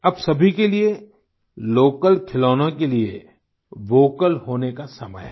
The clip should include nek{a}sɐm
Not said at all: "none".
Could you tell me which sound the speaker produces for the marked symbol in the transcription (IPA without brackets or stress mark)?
a